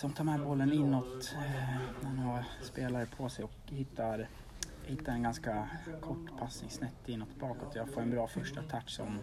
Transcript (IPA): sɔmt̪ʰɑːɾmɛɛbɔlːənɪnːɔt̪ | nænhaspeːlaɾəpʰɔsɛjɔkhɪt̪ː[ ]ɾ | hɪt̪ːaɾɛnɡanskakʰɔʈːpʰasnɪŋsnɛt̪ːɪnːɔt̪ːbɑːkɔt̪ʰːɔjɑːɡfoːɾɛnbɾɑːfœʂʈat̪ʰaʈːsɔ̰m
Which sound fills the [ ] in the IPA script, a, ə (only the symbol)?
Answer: a